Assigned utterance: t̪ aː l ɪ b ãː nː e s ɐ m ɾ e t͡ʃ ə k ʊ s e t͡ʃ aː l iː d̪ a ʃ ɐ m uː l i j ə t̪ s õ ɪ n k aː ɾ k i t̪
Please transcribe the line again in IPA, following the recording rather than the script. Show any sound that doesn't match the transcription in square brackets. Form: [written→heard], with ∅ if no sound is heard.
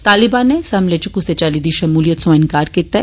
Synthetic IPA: t̪ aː l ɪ b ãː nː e s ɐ m [ɾ→l] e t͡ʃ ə k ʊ s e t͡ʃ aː l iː d̪ [a→i] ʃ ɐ m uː l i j ə t̪ s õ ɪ n k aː ɾ k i t̪